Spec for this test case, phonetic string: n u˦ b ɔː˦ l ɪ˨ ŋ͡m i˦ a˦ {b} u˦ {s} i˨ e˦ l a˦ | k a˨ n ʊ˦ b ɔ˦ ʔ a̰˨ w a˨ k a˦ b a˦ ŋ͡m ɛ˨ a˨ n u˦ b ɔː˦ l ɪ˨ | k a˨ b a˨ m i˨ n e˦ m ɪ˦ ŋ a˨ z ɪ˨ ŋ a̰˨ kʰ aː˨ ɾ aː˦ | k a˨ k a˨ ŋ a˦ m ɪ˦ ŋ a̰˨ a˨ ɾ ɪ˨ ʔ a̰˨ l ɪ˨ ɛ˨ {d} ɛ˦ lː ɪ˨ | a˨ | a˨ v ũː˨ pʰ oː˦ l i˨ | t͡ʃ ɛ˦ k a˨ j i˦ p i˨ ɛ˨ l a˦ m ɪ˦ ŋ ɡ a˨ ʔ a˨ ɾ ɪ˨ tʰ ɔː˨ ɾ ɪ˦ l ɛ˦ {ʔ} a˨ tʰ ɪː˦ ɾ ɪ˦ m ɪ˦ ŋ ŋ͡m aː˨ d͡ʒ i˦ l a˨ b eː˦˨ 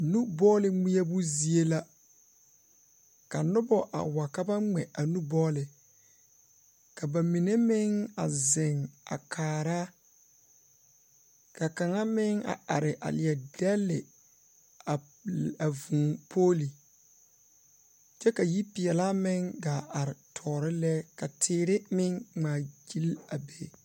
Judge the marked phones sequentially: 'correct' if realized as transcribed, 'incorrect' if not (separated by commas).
correct, incorrect, correct, incorrect